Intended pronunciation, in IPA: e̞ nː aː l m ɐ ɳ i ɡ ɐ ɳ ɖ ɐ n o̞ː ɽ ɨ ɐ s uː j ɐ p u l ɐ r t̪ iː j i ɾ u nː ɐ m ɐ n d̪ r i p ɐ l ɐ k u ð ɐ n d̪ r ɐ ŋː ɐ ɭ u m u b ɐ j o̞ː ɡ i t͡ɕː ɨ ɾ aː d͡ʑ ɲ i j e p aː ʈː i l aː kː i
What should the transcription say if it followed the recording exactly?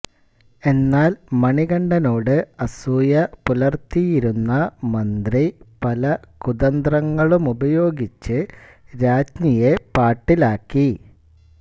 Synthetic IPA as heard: e̞ nː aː l m ɐ ɳ i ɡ ɐ ɳ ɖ ɐ n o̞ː ɽ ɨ ɐ s uː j ɐ p u l ɐ r t̪ i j i ɾ u nː ɐ m ɐ n d̪ r i p ɐ l ɐ k u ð ɐ n d̪ r ɐ ŋː ɐ ɭ u m u b ɐ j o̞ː ɡ i t͡ɕː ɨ ɾ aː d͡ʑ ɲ i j e p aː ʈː i l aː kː i